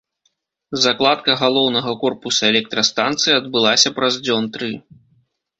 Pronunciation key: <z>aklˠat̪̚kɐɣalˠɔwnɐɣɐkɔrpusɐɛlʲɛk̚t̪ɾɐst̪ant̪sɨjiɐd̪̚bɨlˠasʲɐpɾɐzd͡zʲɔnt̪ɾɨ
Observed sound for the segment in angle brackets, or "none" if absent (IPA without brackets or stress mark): z